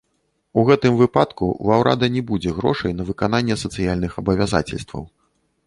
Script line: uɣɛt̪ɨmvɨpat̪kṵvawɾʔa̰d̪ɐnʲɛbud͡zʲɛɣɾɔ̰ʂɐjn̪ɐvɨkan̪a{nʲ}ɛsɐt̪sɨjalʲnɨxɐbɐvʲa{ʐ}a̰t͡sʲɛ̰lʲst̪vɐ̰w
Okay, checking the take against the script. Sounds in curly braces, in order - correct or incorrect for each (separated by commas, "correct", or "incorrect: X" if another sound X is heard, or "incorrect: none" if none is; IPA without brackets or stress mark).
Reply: incorrect: nʲː, incorrect: z